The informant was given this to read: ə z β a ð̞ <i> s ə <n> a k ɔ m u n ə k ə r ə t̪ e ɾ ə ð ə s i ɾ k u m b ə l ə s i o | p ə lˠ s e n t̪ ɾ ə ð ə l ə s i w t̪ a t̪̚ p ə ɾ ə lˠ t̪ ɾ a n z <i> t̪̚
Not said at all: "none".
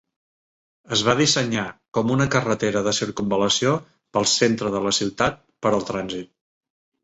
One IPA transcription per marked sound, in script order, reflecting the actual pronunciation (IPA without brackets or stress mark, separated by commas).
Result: i, ɲ, i